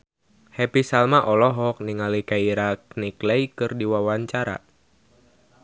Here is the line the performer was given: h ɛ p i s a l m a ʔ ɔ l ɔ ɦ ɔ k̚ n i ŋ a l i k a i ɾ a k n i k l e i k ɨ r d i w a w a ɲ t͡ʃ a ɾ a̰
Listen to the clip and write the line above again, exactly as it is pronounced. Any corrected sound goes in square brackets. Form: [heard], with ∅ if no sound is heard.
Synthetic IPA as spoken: h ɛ p i s a l m a ʔ ɔ l ɔ ɦ ɔ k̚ n i ŋ a l i k a i ɾ a k n i k l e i k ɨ r d i w a w a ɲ t͡ʃ a ɾ a̰